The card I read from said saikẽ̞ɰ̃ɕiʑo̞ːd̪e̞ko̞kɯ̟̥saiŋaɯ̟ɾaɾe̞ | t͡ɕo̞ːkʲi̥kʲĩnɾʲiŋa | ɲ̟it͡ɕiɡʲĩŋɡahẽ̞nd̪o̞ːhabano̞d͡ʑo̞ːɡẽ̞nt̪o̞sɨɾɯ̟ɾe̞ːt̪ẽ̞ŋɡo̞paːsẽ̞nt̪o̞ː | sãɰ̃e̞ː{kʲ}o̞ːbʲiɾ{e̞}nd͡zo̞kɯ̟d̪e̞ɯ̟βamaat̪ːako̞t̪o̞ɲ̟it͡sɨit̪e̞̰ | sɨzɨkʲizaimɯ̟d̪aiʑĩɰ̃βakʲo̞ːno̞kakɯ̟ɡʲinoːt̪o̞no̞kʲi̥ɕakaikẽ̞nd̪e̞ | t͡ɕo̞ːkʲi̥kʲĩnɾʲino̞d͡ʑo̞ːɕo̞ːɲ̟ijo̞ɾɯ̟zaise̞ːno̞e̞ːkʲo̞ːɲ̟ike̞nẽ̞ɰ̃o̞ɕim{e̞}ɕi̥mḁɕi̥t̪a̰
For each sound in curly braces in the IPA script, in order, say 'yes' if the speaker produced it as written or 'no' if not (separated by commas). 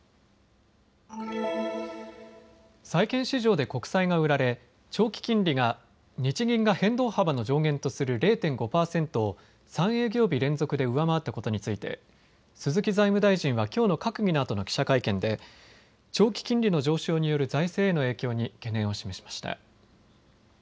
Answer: no, no, yes